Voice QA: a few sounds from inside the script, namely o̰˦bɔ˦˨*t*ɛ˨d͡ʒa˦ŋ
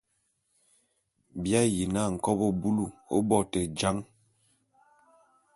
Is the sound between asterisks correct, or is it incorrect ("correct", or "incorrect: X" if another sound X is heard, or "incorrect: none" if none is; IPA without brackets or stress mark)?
correct